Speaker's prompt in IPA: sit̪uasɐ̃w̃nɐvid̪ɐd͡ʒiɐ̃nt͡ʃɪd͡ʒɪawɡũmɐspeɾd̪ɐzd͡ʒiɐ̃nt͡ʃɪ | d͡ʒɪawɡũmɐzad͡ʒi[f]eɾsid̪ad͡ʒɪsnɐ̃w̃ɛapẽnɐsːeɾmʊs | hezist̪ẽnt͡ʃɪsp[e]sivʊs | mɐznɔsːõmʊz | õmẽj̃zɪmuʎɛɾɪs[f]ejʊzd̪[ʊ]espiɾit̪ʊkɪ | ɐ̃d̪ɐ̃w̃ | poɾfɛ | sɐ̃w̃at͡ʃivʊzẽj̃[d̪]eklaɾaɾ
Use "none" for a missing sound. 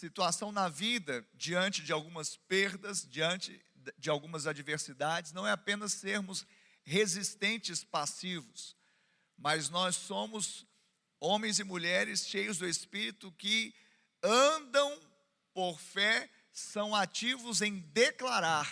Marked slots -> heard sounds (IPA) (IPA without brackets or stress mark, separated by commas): v, a, ʃ, ʊ, d̪